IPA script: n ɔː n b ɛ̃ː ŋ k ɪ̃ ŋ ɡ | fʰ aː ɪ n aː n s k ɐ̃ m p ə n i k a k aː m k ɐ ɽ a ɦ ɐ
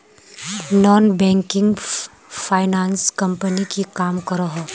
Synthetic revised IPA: n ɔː n b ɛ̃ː ŋ k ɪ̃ ŋ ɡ | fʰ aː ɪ n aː n s k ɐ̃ m p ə n i k i k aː m k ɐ ɾ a ɦ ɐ